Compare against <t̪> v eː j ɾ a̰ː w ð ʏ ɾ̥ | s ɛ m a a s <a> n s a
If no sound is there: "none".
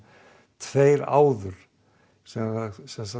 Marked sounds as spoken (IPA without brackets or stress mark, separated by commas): t̪ʰ, ɛ